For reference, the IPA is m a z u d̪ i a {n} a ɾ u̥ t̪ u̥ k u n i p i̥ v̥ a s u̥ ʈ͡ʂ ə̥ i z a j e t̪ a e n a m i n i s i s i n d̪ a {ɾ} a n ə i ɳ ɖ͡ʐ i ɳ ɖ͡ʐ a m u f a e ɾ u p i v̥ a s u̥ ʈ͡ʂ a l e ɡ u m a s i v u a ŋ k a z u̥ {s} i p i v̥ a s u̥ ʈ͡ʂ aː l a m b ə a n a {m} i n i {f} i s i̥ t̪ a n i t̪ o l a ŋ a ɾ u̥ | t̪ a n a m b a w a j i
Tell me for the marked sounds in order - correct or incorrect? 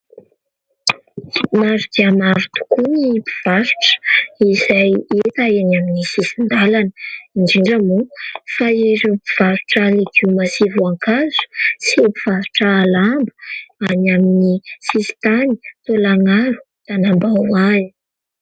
incorrect, incorrect, correct, correct, incorrect

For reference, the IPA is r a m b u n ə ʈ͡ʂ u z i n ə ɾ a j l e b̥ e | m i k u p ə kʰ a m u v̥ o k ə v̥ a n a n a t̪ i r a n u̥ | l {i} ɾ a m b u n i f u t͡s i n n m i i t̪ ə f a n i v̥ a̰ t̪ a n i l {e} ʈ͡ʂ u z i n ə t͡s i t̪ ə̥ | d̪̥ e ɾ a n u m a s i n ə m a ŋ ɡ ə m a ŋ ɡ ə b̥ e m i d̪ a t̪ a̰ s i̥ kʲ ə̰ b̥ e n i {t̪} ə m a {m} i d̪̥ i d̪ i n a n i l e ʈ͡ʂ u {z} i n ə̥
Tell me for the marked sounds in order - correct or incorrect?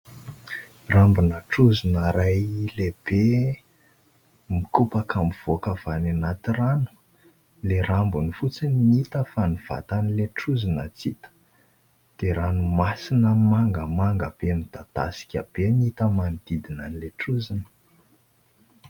incorrect, correct, correct, incorrect, correct

